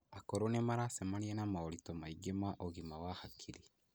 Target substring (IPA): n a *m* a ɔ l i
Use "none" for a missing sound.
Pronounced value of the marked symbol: m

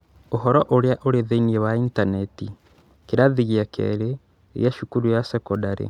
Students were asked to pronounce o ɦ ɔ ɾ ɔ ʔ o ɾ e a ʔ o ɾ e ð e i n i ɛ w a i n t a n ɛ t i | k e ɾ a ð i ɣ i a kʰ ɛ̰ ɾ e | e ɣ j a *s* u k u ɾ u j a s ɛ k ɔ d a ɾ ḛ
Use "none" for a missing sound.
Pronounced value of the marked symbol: ʃ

